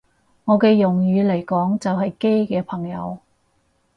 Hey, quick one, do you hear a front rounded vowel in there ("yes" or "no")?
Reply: yes